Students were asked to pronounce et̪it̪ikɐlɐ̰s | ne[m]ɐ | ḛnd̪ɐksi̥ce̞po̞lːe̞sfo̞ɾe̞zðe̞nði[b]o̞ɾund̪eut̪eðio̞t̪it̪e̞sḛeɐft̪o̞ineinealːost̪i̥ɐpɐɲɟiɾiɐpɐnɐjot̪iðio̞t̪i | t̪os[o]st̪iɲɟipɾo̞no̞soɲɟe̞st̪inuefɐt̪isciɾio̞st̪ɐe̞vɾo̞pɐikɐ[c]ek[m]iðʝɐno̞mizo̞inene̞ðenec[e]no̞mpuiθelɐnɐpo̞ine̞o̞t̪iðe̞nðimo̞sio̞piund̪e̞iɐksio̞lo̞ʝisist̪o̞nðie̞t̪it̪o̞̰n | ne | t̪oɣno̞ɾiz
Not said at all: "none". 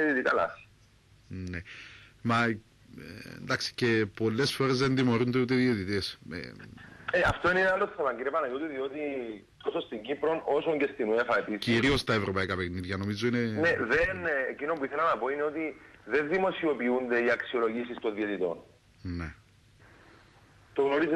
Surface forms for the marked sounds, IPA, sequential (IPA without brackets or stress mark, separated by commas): m, m, o, p, n, i